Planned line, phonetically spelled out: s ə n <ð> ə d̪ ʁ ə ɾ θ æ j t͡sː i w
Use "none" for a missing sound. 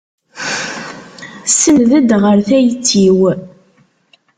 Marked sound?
ð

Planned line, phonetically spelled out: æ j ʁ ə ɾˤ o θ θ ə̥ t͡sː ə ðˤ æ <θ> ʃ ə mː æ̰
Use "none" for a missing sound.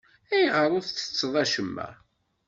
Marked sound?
none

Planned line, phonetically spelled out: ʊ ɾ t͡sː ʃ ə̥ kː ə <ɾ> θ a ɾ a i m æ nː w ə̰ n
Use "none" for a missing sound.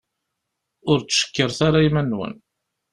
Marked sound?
ɾ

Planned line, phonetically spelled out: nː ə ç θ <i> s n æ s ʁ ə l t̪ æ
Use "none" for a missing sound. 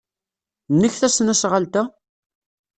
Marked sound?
æ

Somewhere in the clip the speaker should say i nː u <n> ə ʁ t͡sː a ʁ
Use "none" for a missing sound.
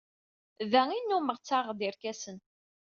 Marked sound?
m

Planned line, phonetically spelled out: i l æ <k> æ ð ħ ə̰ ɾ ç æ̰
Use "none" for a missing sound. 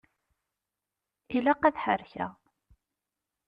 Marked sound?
q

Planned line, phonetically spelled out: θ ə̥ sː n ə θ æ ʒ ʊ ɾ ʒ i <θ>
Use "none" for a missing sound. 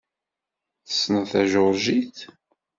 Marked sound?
θ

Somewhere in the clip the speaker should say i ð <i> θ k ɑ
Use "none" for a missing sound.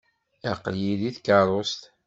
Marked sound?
i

